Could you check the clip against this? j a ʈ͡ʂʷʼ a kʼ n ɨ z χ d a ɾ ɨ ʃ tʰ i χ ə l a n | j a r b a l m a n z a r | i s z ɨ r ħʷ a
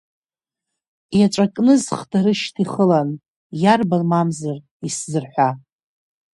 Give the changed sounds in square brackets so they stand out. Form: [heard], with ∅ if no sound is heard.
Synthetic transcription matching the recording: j a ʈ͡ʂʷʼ a kʼ n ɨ z χ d a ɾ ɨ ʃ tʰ i χ ə l a n | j a r b a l m a [m] z a r | i s z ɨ r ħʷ a